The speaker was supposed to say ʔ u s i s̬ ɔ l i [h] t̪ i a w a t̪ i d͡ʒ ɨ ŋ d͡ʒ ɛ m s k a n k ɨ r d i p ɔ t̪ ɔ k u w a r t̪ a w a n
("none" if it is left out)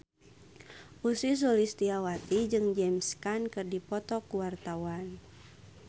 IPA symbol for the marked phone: s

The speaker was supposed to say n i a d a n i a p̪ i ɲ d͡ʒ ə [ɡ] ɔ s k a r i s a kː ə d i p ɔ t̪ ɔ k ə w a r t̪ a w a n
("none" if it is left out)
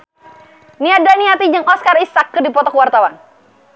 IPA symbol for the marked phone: ŋ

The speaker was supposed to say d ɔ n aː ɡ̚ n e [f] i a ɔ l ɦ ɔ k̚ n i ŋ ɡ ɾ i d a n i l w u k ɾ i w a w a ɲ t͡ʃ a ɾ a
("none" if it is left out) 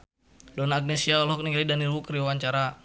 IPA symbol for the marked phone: s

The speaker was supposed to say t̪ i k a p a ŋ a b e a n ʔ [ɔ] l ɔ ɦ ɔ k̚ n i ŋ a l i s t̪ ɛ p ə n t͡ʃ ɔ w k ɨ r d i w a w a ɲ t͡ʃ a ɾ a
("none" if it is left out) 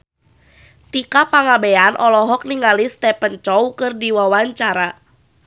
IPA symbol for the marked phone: ɔ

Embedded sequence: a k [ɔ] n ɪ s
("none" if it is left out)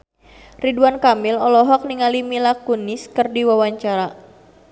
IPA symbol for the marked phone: u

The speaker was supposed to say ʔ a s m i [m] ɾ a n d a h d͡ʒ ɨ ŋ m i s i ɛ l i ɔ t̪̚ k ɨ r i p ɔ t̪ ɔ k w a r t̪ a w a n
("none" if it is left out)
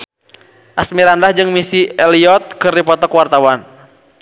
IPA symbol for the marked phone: none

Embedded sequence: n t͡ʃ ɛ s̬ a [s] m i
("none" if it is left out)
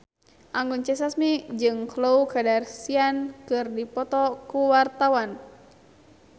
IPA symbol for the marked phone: s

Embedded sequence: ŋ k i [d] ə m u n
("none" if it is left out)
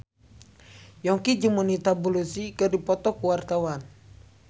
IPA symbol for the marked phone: d͡ʒ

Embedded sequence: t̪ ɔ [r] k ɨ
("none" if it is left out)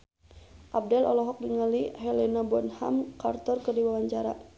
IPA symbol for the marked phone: r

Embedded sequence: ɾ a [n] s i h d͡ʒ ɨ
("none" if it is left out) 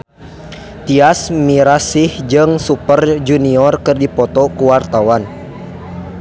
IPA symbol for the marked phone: none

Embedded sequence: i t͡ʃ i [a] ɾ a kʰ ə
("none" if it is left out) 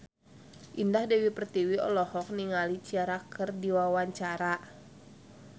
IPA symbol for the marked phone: a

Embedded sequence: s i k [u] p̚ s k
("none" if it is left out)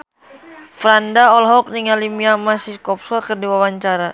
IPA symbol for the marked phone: ɔ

